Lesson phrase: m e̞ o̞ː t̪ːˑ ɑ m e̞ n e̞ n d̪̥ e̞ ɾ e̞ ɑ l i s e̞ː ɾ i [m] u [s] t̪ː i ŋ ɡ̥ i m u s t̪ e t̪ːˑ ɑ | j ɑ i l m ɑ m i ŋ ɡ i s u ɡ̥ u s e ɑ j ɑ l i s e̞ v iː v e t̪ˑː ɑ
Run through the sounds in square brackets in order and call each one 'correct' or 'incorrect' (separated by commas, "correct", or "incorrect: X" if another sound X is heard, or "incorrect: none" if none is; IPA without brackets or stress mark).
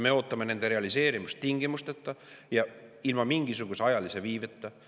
correct, correct